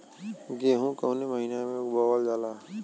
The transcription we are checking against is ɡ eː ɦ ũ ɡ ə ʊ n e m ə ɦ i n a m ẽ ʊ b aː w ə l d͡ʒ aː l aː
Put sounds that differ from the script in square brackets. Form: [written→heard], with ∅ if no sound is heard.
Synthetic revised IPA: ɡ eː ɦ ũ [ɡ→k] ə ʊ n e m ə ɦ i n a m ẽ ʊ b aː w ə l d͡ʒ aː l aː